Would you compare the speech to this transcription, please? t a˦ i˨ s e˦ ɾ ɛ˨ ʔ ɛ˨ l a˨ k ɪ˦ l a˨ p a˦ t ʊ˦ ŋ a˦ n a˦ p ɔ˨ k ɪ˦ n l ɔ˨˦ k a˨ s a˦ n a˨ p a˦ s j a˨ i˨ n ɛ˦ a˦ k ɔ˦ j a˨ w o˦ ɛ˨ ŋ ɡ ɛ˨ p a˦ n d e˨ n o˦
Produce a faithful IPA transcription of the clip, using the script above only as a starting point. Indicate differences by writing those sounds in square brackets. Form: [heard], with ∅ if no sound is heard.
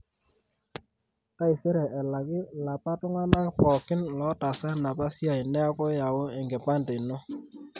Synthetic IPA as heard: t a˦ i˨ s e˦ ɾ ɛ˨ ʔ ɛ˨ l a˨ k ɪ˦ l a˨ p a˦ t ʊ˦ ŋ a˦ n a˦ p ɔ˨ k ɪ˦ n l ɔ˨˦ [t] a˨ s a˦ n a˨ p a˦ s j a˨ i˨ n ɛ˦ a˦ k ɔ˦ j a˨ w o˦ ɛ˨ ŋ ɡ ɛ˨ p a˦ n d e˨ n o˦